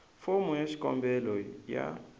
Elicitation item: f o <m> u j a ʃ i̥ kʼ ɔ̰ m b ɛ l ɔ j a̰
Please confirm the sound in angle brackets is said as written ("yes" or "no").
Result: yes